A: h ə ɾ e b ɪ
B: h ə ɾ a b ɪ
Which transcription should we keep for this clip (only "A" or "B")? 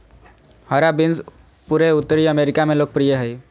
B